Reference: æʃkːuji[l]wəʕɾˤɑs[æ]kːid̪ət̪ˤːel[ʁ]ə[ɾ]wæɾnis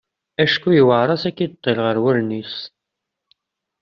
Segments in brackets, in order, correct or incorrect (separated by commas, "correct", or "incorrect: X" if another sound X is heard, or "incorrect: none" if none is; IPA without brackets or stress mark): incorrect: none, correct, correct, correct